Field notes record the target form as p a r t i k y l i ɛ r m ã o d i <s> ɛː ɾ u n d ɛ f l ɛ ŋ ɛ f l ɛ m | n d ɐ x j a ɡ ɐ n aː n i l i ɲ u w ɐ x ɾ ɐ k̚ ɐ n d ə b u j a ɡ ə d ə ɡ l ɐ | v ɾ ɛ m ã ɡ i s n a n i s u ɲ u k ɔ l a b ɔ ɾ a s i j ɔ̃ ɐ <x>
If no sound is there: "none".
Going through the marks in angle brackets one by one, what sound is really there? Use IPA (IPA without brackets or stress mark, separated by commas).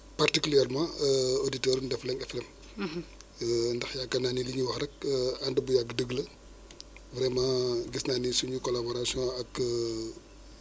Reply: t, k